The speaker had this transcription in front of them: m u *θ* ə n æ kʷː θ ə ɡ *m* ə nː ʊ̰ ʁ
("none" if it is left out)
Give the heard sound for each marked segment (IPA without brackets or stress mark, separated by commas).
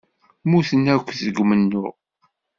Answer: θ, m